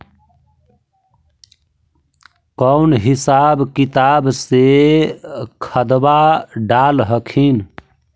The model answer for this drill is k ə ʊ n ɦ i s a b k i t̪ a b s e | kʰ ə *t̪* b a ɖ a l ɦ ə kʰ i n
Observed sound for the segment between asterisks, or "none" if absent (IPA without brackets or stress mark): d̪